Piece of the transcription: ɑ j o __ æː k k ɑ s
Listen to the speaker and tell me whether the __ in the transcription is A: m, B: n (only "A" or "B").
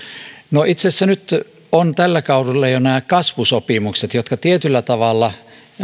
B